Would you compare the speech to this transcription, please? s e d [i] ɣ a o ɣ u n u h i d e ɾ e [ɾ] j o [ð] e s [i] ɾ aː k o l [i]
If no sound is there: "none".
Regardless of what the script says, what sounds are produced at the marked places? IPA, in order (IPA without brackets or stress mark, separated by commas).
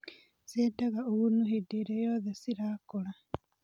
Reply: a, none, ð, i, a